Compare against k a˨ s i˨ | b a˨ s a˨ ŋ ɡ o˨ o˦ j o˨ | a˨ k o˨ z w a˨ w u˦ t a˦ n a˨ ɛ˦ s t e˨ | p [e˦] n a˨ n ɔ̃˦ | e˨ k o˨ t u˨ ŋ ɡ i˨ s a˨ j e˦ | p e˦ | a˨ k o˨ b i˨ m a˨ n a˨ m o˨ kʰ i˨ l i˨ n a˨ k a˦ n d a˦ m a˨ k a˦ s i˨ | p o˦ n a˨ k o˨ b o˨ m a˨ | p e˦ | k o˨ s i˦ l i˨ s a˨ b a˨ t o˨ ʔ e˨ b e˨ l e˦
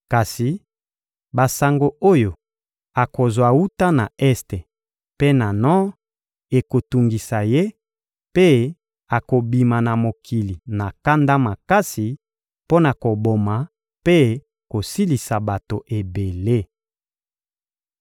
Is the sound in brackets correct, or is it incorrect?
correct